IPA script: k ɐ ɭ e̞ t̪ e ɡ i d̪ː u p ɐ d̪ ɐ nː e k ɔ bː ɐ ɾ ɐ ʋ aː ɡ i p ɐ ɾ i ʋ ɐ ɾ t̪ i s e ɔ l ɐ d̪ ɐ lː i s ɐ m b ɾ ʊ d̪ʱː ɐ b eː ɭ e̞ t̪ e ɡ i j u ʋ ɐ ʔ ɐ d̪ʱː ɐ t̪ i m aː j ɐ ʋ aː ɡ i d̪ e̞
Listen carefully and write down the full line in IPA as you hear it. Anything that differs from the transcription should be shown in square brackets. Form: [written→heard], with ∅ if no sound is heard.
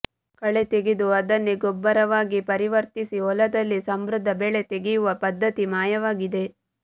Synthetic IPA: k ɐ ɭ e̞ t̪ e ɡ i [d̪ː→d̪] u [p→∅] ɐ d̪ ɐ nː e [k→ɡ] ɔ bː ɐ ɾ ɐ ʋ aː ɡ i p ɐ ɾ i ʋ ɐ ɾ t̪ i s [e→i] ɔ l ɐ d̪ ɐ lː i s ɐ m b ɾ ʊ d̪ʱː ɐ b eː ɭ e̞ t̪ e ɡ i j u ʋ ɐ [ʔ→p] ɐ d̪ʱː ɐ t̪ i m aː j ɐ ʋ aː ɡ i d̪ e̞

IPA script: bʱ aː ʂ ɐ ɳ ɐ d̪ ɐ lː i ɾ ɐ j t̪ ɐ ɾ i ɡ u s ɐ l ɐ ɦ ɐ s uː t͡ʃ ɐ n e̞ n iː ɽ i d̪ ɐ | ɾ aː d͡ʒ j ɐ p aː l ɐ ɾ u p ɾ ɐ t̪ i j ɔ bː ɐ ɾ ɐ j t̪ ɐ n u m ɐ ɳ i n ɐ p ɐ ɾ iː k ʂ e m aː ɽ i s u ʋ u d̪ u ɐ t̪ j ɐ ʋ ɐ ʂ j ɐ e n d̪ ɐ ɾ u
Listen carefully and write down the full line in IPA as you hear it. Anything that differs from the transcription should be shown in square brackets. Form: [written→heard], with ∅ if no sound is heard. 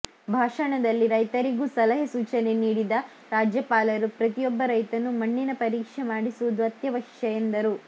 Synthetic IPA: bʱ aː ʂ ɐ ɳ ɐ d̪ ɐ lː i ɾ ɐ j t̪ ɐ ɾ i ɡ u s ɐ l ɐ ɦ ɐ s uː t͡ʃ ɐ n e̞ n iː ɽ i d̪ ɐ | ɾ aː d͡ʒ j ɐ p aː l ɐ ɾ u p ɾ ɐ t̪ i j ɔ bː ɐ ɾ ɐ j t̪ ɐ n u m ɐ [ɳ→ɳː] i n ɐ p ɐ ɾ iː k ʂ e m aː ɽ i s u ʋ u d̪ u ɐ t̪ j ɐ ʋ ɐ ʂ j ɐ e n d̪ ɐ ɾ u

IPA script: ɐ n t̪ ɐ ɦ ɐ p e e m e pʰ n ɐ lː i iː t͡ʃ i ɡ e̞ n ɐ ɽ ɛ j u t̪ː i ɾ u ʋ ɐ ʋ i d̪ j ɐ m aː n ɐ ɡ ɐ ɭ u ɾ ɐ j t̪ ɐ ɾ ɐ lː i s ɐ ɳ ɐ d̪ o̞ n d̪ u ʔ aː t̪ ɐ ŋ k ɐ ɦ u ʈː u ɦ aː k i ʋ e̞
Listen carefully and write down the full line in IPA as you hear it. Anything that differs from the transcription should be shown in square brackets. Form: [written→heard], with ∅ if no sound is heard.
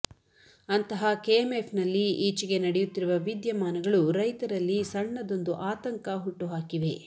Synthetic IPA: ɐ n t̪ ɐ ɦ ɐ [p→k] e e m e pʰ n ɐ lː i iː t͡ʃ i ɡ e̞ n ɐ ɽ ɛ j u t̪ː i ɾ u ʋ ɐ ʋ i d̪ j ɐ m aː n ɐ ɡ ɐ ɭ u ɾ ɐ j t̪ ɐ ɾ ɐ lː i s ɐ [ɳ→ɳː] ɐ d̪ o̞ n d̪ u ʔ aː t̪ ɐ ŋ k ɐ ɦ u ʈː u ɦ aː k i ʋ e̞

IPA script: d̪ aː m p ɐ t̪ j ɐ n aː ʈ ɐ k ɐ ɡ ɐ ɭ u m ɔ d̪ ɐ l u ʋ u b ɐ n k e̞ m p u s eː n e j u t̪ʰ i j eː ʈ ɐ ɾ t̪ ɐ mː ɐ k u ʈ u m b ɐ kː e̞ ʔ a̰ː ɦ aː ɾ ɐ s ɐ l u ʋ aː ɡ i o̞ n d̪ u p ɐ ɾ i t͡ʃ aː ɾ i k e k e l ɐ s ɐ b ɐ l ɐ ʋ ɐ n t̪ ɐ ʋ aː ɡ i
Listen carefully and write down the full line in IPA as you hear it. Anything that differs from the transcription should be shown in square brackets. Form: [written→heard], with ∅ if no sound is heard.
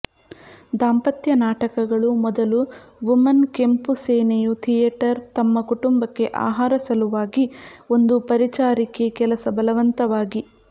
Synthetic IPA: d̪ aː m p ɐ t̪ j ɐ n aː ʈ ɐ k ɐ ɡ ɐ ɭ u m ɔ d̪ ɐ l u ʋ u [b→m] ɐ n k e̞ m p u s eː n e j u t̪ʰ i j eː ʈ ɐ ɾ t̪ ɐ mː ɐ k u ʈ u m b ɐ kː e̞ ʔ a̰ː ɦ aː ɾ ɐ s ɐ l u ʋ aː ɡ i o̞ n d̪ u p ɐ ɾ i t͡ʃ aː ɾ i k e k [e→ɛ] l ɐ s ɐ b ɐ l ɐ ʋ ɐ n t̪ ɐ ʋ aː ɡ i

